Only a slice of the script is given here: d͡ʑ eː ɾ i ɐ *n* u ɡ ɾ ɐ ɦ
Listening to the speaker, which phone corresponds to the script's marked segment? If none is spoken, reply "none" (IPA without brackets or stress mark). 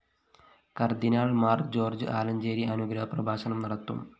n